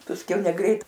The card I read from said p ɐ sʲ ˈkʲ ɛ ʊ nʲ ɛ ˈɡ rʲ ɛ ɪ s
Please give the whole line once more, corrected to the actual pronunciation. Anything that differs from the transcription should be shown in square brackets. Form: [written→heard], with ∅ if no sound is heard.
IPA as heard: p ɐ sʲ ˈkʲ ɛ ʊ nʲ ɛ ˈɡ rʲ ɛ ɪ [s→t]